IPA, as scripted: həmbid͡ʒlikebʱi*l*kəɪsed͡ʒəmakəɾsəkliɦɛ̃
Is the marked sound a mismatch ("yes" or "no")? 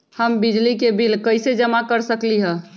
no